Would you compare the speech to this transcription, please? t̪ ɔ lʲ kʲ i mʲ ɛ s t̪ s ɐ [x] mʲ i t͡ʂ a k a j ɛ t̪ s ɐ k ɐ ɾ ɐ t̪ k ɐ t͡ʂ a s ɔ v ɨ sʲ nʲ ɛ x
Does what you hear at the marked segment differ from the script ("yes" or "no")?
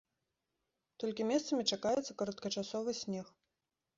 yes